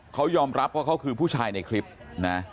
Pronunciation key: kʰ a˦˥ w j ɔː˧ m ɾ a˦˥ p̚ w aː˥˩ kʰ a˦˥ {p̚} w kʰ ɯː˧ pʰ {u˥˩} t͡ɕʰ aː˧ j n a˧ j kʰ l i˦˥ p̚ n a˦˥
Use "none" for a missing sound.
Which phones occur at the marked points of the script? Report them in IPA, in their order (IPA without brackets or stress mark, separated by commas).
none, uː˥˩